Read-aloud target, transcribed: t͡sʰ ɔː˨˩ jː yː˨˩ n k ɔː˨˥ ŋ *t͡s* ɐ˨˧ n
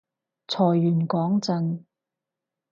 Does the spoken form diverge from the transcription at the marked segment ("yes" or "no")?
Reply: no